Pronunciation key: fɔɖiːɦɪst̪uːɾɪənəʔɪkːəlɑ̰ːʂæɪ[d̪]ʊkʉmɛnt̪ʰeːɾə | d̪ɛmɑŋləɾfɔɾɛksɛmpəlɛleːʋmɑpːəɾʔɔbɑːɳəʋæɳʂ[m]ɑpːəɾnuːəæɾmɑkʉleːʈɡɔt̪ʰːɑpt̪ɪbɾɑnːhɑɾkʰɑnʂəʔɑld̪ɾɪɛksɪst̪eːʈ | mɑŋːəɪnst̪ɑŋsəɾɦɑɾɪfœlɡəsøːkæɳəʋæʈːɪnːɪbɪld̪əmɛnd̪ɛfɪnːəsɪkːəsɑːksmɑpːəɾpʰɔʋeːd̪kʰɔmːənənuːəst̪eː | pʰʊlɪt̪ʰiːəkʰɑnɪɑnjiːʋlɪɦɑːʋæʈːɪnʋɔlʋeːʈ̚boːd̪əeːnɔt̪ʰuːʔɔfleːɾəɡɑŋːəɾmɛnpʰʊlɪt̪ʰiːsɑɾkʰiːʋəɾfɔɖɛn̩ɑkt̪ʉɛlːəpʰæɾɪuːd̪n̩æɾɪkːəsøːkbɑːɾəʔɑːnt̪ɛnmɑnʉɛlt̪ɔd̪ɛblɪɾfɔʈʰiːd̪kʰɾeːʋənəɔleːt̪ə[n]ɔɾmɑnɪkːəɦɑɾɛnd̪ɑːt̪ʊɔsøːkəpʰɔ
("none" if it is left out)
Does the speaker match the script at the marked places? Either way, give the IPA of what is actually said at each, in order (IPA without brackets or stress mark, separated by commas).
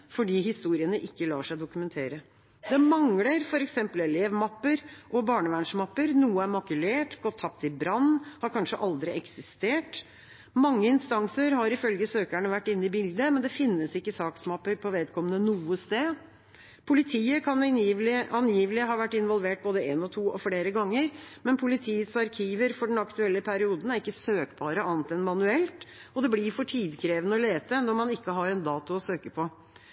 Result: d̪, m, n